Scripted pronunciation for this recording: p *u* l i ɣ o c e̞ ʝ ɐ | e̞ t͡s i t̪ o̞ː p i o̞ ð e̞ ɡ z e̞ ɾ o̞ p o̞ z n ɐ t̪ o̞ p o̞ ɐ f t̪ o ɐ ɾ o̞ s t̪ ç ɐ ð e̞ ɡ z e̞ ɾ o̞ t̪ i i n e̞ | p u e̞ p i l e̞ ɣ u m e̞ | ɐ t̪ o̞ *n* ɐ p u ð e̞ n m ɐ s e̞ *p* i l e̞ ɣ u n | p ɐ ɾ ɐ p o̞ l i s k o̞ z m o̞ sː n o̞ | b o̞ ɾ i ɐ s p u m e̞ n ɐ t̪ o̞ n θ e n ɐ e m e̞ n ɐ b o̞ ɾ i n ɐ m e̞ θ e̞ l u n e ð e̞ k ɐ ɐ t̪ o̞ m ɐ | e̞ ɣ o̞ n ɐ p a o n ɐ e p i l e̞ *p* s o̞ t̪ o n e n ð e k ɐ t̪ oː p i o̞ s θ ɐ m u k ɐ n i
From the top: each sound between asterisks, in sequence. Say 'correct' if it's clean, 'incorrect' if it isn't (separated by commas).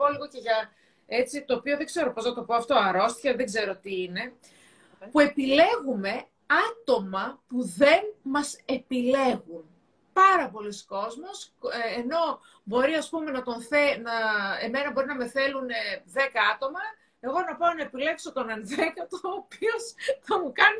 incorrect, incorrect, correct, incorrect